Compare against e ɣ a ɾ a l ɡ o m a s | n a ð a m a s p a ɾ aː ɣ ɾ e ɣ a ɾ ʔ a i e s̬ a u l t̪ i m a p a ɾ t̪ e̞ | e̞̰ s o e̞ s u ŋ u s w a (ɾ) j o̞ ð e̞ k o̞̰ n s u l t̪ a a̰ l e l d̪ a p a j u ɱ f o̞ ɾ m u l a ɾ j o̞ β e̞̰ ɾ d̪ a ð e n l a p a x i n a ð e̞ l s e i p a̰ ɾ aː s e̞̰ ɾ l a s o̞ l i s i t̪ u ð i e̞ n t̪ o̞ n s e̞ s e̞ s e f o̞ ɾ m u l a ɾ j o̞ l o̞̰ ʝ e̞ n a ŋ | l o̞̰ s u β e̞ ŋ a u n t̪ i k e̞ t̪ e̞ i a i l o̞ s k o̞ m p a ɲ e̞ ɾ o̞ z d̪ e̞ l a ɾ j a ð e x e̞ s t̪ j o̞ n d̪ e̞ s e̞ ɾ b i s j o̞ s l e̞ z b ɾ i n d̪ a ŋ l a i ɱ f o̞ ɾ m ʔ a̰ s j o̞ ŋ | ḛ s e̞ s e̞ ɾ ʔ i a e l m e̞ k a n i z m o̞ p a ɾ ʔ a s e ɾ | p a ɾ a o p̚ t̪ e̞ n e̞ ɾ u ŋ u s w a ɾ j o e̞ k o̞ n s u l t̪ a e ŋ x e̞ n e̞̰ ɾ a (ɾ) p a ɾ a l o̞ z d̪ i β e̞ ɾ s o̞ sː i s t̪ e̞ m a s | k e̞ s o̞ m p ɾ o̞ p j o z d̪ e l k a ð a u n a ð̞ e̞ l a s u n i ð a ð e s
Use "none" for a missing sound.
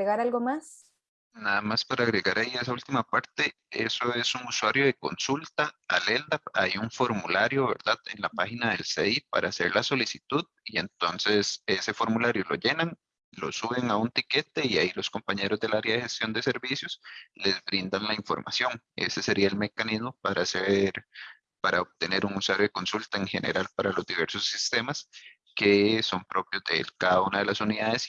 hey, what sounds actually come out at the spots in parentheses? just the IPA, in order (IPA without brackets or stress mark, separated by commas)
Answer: ɾ, l